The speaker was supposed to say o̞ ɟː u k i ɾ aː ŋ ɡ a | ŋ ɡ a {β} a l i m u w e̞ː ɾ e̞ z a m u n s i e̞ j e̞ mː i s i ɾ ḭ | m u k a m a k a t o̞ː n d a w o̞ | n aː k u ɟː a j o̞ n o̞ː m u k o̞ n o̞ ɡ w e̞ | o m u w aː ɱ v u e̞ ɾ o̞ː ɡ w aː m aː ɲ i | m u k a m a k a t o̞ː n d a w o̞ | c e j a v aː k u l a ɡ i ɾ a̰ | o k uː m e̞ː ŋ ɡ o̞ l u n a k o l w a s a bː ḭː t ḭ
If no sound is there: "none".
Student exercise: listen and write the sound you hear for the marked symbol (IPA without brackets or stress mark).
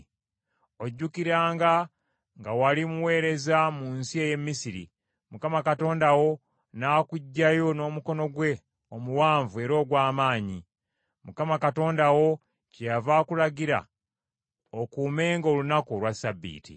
w